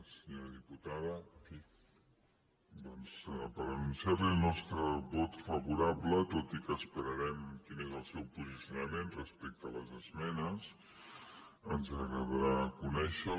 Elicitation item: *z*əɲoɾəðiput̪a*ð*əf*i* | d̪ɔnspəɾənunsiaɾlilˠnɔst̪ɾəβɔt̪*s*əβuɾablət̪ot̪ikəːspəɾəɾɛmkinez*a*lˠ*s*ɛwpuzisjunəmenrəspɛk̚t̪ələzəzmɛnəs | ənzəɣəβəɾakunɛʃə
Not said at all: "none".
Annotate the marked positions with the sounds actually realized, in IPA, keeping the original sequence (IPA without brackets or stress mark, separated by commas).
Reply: s, ð, i, f, ə, s